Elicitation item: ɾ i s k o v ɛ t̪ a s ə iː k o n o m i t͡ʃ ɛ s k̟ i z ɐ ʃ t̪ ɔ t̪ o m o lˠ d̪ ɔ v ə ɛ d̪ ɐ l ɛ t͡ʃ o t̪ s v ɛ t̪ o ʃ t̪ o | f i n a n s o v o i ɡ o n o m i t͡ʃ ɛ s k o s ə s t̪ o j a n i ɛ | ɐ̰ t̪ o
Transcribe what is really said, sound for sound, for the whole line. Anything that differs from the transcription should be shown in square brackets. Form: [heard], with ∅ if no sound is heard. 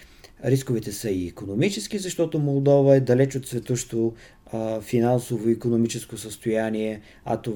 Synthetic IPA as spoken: ɾ i s k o v ɛ t̪ [ɛ] s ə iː k o n o m i t͡ʃ ɛ s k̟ i z ɐ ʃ t̪ ɔ t̪ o m o lˠ d̪ ɔ v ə ɛ d̪ ɐ l ɛ t͡ʃ o t̪ s v ɛ t̪ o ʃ t̪ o | f i n a n s o v o i [k] o n o m i t͡ʃ ɛ s k o s ə s t̪ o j a n i ɛ | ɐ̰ t̪ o